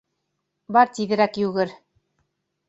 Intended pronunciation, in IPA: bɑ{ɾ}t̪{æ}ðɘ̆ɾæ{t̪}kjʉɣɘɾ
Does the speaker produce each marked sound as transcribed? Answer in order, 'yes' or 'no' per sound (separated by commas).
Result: yes, no, no